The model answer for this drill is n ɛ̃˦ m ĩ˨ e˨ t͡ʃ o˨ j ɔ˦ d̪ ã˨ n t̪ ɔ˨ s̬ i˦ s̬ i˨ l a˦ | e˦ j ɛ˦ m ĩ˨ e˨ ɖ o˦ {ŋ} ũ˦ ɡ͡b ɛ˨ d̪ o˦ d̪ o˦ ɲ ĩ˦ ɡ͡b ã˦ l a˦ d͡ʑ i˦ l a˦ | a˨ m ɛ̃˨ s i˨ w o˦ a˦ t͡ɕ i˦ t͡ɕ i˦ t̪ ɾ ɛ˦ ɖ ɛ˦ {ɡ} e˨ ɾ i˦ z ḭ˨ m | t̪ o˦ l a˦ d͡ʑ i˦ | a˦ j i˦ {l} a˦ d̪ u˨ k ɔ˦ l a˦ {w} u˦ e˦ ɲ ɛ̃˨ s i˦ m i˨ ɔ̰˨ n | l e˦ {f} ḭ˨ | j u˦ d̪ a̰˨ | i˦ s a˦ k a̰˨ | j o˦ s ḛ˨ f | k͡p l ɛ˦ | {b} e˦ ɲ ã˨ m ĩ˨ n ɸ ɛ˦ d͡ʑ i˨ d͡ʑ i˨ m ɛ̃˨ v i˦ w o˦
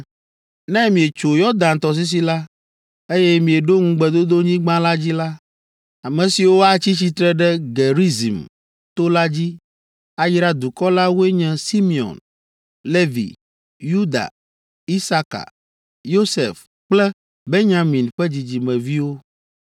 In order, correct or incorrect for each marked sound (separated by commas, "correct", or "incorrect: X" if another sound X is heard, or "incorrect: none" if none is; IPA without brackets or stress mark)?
correct, correct, incorrect: ɾ, correct, incorrect: v, correct